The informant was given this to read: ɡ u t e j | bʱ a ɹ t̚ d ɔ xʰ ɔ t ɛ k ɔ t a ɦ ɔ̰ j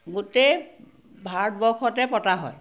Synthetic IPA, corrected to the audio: ɡ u t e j | bʱ a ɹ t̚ b ɔ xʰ ɔ t ɛ p ɔ t a ɦ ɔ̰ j